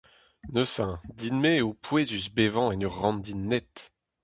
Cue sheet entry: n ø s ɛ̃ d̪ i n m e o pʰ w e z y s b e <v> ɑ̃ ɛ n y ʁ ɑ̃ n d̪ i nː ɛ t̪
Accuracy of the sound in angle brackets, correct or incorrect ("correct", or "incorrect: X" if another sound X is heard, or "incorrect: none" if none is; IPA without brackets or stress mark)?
correct